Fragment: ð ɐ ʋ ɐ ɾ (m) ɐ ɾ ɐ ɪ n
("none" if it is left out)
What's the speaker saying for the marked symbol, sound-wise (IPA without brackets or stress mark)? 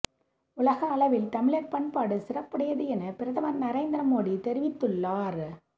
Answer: n